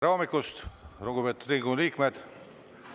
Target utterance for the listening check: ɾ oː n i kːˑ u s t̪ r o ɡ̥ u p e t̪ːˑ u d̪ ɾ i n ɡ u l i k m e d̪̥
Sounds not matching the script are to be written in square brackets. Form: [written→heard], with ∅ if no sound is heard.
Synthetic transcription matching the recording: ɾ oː [n→m] i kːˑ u s t̪ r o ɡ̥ u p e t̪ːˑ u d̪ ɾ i [n→ŋ] ɡ u l [i→iː] k m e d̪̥

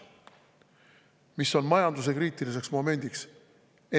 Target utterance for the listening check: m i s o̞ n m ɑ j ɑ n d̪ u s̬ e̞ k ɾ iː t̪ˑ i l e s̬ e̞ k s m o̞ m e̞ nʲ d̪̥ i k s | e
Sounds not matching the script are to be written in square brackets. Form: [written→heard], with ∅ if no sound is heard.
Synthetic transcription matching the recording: m i s o̞ n m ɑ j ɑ n d̪ u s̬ e̞ k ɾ iː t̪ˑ i l [e→i] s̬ e̞ k s m o̞ m e̞ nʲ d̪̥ i k s | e

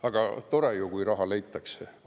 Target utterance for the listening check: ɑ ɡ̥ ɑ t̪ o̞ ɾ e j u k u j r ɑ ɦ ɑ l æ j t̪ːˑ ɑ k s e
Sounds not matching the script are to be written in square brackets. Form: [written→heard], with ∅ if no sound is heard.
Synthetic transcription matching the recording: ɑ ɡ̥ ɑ t̪ o̞ ɾ e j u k u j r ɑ ɦ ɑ l [æ→e] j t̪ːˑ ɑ k s e

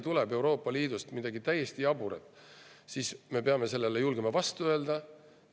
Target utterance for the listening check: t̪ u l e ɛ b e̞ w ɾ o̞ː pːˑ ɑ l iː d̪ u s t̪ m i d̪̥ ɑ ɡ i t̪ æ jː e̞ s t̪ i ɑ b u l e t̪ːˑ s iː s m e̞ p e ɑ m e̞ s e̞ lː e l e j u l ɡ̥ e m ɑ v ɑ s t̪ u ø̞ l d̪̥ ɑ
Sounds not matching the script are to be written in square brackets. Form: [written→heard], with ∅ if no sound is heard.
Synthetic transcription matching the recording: t̪ u l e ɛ b e̞ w ɾ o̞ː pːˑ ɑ l iː d̪ u s t̪ m i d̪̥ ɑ ɡ i t̪ æ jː e̞ s t̪ i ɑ b u [l→ɾ] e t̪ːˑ s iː s m e̞ p e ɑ m e̞ s e̞ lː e l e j u l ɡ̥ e m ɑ v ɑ s t̪ u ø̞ l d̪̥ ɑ

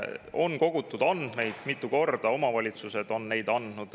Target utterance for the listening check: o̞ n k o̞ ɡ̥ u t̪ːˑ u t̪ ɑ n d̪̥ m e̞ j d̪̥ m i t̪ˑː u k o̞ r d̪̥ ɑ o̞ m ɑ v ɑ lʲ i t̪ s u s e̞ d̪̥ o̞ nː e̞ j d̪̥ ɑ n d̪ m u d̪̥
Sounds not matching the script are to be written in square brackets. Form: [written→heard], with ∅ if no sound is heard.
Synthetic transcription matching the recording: o̞ n k o̞ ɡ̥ u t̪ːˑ u [t̪→d̪] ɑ n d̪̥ m e̞ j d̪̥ m i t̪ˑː u k o̞ r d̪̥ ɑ o̞ m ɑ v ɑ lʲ i t̪ s u s e̞ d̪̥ o̞ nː e̞ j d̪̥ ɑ n d̪ [m→n] u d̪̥

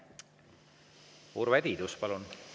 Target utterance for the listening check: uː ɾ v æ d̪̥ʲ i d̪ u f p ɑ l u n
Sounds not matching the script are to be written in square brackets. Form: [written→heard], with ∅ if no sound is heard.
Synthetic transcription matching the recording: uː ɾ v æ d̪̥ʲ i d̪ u [f→s] p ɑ l u n

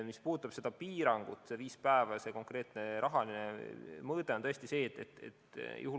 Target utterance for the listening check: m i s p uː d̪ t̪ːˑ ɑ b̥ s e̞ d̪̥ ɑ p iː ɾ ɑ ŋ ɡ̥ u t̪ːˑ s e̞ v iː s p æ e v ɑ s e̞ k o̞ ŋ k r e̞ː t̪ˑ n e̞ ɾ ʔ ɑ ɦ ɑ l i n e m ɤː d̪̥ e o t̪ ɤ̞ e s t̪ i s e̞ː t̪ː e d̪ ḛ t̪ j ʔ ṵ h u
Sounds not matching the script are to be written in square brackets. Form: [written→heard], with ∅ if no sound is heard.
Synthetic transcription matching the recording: m i s p uː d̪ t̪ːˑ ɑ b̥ s e̞ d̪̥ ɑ p iː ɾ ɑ ŋ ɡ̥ u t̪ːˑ s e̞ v iː s p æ e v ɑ s e̞ k o̞ ŋ k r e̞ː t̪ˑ n e̞ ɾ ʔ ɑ ɦ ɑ l i n e m ɤː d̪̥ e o t̪ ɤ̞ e s t̪ i s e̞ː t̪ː e [d̪→t̪] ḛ t̪ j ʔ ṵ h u

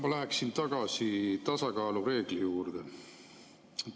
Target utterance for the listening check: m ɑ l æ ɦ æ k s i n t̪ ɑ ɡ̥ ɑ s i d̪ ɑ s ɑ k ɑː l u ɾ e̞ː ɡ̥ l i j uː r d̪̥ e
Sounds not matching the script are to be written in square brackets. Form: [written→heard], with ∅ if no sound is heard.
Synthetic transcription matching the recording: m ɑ l æ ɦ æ k s i n t̪ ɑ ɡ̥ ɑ s i [d̪→t̪] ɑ s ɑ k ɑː l u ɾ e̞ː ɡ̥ l i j uː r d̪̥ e

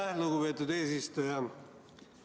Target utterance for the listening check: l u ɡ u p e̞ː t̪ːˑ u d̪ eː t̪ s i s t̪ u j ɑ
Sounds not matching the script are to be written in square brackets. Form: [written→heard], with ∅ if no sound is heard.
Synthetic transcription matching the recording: l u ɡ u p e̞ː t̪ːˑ u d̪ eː [t̪→∅] s i s t̪ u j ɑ

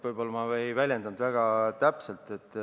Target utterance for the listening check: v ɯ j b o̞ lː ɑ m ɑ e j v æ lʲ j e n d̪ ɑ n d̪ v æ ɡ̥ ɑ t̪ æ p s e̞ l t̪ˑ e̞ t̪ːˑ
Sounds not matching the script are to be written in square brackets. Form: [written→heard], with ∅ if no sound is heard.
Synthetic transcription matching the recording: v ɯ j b o̞ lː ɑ m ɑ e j v æ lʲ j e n d̪ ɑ n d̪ v æ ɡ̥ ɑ t̪ æ p s e̞ l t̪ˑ e̞ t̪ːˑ

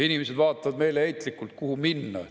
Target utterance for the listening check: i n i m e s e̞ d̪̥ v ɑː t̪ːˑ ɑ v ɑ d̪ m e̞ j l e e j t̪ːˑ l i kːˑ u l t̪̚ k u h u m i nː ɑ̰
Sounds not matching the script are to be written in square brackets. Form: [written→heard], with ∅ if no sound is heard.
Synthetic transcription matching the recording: i n i m e s e̞ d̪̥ v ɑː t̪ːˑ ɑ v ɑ d̪ m e̞ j l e e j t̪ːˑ l i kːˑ u l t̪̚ k u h u m i nː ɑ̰

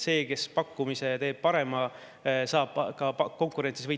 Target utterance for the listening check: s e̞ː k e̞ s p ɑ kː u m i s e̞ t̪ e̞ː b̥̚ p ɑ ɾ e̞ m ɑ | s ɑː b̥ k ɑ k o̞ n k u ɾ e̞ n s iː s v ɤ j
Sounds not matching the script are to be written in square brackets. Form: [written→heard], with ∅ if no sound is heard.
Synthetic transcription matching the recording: s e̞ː k e̞ s p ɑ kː u m i s e̞ t̪ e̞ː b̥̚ p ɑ ɾ e̞ m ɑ | s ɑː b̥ k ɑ k o̞ [n→ŋ] k u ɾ e̞ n s [iː→i] s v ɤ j

